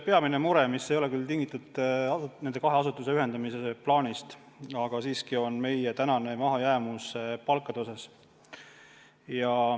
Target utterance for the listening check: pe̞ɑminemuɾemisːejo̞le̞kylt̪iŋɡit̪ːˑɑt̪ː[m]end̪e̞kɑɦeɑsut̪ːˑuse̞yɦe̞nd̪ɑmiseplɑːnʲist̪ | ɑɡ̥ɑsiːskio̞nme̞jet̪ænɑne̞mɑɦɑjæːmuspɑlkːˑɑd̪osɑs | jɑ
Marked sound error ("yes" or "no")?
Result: yes